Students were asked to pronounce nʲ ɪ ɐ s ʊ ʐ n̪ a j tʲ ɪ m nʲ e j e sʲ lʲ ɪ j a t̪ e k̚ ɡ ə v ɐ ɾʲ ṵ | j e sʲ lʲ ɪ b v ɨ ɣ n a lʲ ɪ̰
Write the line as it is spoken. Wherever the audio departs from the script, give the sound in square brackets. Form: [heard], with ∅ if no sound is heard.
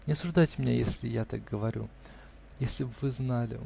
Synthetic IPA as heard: nʲ ɪ ɐ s ʊ ʐ [d̪] a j tʲ ɪ m nʲ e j e sʲ lʲ ɪ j a t̪ [a] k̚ ɡ ə v ɐ ɾʲ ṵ | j e sʲ lʲ ɪ b v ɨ [z] n a lʲ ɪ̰